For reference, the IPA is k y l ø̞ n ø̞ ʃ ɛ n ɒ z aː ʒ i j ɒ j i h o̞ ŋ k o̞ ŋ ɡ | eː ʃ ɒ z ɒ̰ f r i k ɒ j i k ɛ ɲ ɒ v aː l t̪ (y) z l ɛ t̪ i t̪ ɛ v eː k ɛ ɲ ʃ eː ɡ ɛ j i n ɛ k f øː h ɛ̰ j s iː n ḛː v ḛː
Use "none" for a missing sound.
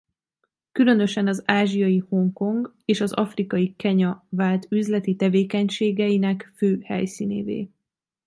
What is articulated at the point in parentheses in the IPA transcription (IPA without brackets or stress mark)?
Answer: y